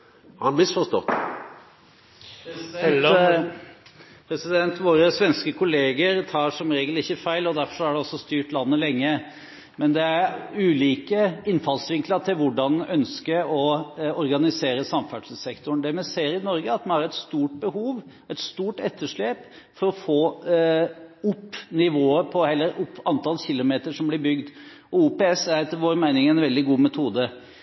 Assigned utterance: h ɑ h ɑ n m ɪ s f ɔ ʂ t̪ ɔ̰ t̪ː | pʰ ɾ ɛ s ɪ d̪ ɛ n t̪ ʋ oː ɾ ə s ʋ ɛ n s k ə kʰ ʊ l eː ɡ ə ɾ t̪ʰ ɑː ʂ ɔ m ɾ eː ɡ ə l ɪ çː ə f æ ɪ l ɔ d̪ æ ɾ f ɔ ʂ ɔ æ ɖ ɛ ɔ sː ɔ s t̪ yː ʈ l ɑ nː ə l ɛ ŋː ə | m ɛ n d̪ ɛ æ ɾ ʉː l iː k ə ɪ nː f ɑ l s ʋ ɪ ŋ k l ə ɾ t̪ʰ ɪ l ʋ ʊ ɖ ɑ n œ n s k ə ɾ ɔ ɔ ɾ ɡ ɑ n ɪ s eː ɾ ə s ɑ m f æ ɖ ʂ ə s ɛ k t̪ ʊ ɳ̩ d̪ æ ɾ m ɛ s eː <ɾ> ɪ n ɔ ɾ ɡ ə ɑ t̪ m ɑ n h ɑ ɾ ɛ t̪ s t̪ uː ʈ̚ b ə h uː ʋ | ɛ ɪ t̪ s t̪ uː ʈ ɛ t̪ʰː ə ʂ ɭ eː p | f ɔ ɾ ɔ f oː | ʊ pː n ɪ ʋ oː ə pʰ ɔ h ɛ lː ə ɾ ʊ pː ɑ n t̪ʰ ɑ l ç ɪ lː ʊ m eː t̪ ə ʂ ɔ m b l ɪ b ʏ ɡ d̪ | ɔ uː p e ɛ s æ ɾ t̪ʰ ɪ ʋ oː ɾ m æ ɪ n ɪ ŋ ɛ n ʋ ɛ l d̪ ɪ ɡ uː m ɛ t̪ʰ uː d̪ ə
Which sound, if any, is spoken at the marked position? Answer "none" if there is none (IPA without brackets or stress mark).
ɾ